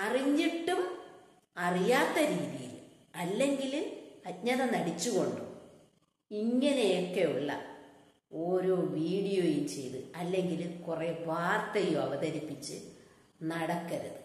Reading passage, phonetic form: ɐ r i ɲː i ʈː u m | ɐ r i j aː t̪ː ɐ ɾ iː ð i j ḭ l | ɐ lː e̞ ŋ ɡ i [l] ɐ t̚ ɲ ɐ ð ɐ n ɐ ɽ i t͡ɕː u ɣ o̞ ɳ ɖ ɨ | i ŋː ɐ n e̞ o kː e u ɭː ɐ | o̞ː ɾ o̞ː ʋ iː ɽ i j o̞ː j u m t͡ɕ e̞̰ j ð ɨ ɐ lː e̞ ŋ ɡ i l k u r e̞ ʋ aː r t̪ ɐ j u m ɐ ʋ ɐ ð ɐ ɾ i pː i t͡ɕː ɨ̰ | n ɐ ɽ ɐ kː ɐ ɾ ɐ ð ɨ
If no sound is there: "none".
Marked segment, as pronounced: l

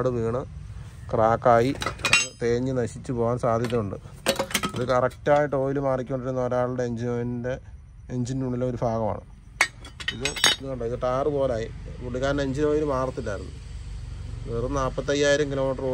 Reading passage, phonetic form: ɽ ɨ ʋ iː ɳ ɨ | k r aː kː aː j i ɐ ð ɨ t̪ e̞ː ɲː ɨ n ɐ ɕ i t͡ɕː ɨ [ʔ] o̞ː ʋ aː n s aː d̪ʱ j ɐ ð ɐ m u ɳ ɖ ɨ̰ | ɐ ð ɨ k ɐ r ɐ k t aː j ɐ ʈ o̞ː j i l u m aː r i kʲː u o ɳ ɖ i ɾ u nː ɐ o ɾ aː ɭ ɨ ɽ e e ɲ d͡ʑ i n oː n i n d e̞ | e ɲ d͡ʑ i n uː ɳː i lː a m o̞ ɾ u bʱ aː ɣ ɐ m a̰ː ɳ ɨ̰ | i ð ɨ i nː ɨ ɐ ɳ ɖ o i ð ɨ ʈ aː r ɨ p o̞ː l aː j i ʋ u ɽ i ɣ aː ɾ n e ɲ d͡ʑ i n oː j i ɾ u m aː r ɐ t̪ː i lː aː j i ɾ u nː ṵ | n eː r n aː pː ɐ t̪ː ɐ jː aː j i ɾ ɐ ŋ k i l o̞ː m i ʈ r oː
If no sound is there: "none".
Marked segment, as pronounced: p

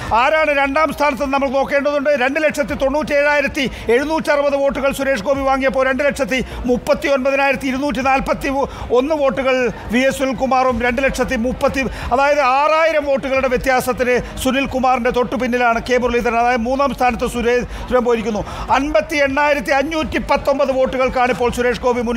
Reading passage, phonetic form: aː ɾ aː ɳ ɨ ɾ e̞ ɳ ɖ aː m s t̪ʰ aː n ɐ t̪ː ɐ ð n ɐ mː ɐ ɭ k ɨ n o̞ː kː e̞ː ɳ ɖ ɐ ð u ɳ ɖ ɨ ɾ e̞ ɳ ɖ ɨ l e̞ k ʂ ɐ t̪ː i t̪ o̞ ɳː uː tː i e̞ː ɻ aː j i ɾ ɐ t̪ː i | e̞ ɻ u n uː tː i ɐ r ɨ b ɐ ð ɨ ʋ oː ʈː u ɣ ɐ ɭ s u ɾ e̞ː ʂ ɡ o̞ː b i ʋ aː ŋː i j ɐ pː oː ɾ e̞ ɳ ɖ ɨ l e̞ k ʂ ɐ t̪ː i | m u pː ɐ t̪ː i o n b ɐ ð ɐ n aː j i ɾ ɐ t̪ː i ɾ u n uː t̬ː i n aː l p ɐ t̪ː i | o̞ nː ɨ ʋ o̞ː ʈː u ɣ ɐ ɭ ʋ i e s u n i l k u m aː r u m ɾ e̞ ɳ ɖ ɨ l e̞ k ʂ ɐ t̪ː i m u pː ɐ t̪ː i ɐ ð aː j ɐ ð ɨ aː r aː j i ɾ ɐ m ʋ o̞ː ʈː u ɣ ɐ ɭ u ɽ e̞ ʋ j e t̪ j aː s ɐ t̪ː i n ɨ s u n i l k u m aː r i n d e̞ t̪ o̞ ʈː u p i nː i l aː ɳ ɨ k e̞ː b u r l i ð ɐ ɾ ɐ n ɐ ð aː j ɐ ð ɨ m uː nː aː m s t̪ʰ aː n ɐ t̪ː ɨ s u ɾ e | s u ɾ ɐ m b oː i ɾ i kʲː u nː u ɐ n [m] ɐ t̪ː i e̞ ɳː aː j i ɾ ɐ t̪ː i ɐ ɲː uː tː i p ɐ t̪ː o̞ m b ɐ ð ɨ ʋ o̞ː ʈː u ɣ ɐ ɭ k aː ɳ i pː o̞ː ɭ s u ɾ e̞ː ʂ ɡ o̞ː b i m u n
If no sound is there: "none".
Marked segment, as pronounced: b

